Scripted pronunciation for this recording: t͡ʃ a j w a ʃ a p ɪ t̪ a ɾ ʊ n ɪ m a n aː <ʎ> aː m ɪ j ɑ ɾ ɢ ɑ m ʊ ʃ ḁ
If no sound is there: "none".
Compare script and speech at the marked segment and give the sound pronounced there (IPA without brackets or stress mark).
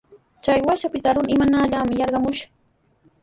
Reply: ʎ